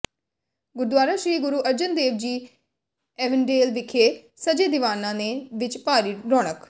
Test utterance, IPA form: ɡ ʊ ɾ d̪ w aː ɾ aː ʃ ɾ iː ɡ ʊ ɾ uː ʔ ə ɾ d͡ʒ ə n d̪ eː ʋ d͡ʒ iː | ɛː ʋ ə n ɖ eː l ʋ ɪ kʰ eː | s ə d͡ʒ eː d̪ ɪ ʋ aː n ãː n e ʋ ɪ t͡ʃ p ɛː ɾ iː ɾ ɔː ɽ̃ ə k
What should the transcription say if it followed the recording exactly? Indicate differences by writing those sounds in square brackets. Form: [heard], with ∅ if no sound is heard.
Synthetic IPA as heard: ɡ ʊ ɾ d̪ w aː ɾ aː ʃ ɾ iː ɡ ʊ ɾ uː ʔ ə ɾ d͡ʒ ə n d̪ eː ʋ d͡ʒ iː | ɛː ʋ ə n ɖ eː l ʋ ɪ kʰ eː | s ə d͡ʒ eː d̪ ɪ ʋ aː n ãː n e ʋ ɪ t͡ʃ p [aː] ɾ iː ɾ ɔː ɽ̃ ə k